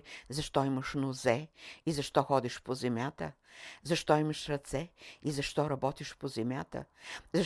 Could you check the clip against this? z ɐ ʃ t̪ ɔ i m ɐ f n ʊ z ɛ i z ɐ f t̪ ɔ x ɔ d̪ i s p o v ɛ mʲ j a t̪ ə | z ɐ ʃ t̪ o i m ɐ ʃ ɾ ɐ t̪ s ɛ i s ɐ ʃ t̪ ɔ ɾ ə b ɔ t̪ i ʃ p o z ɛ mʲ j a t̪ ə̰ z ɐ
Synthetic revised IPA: z ɐ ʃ t̪ ɔ i m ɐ ʃ n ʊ z ɛ i z ɐ ʃ t̪ ɔ x ɔ d̪ i ʃ p o z ɛ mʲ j a t̪ ə | z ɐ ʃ t̪ ɔ i m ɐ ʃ ɾ ɐ t̪ s ɛ i z ɐ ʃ t̪ ɔ ɾ ɐ b ɔ t̪ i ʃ p o z ɛ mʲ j a t̪ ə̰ z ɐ